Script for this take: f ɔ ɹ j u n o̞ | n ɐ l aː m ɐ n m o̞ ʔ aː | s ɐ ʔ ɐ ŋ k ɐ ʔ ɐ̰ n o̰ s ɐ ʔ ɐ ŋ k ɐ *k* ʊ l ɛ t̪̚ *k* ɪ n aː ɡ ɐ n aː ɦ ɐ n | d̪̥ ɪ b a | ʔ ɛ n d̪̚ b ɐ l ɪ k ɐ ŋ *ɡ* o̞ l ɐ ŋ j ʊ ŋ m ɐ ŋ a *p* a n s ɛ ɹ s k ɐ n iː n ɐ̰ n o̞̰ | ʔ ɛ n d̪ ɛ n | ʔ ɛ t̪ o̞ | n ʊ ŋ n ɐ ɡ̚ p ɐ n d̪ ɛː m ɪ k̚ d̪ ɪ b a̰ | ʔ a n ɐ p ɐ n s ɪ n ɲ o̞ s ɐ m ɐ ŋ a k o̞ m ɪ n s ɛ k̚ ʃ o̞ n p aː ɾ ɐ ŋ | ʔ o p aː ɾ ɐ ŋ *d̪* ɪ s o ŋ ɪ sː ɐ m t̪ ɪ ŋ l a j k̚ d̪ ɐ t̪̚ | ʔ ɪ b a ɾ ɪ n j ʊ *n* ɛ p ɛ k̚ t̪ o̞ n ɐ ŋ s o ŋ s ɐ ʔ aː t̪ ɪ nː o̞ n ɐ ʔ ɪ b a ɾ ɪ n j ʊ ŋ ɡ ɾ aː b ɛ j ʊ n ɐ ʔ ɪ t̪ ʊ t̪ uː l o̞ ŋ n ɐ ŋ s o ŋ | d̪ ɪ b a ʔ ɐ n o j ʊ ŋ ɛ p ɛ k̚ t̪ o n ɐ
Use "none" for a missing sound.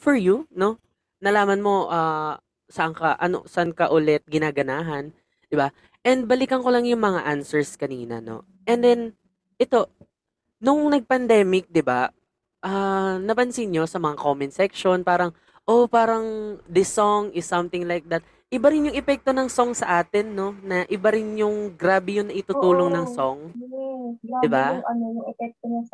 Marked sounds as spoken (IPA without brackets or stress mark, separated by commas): ʔ, ɡ, k, ʔ, d̪, ŋ